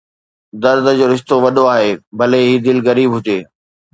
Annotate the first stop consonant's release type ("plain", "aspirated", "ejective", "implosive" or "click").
plain